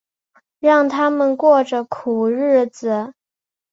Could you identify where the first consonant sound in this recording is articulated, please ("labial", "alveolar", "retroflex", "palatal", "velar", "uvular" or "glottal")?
retroflex